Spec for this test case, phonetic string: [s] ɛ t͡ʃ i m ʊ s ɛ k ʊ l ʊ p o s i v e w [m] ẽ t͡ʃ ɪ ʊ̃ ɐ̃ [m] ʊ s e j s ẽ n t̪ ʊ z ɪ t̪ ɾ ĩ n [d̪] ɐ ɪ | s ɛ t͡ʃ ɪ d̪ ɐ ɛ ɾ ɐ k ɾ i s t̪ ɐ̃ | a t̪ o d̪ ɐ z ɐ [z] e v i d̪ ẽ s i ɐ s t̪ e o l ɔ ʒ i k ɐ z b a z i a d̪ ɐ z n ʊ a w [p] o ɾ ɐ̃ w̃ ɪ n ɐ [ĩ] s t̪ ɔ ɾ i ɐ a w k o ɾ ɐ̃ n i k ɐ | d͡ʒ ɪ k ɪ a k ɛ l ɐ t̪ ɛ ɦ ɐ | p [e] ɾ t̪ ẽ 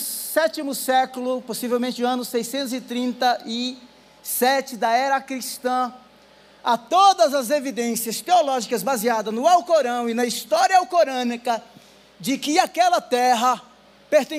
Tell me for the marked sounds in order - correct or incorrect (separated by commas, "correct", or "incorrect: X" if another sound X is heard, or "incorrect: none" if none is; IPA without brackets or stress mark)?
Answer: correct, correct, incorrect: n, incorrect: t̪, correct, incorrect: k, incorrect: i, correct